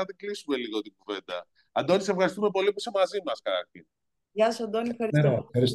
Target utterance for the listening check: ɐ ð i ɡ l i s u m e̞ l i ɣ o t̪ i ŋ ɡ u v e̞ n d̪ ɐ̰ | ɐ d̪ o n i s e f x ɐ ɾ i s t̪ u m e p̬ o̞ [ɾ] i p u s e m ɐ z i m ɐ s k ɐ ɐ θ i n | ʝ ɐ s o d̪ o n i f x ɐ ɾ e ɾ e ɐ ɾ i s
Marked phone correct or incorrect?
incorrect